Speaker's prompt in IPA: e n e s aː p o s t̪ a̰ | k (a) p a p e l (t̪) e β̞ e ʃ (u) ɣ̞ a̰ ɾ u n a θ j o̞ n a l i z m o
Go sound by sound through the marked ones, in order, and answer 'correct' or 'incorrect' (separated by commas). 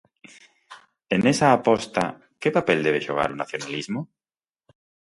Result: incorrect, incorrect, incorrect